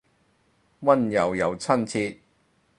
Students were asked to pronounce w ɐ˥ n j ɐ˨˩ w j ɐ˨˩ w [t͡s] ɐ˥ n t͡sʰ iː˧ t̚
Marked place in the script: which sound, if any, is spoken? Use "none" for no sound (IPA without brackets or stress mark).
t͡sʰ